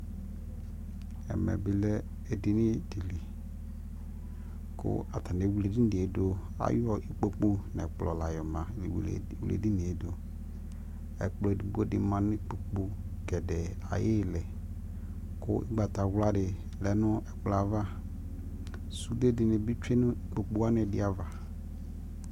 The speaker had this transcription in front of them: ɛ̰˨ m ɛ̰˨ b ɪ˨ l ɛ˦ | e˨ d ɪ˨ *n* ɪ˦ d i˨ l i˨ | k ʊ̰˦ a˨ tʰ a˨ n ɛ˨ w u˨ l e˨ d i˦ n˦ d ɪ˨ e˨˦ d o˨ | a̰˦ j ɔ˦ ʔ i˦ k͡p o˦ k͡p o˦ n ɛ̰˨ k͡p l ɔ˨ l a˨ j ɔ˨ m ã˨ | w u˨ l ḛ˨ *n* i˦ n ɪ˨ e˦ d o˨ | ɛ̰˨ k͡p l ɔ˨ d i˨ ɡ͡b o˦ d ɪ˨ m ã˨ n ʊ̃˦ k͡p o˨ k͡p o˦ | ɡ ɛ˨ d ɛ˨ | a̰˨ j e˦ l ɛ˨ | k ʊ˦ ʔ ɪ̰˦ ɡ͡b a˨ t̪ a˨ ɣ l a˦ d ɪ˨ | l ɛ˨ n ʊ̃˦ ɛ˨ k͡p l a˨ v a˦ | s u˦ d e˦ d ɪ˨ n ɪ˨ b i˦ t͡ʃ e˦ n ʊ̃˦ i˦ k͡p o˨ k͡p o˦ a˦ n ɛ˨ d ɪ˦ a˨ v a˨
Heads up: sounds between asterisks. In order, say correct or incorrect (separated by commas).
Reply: correct, incorrect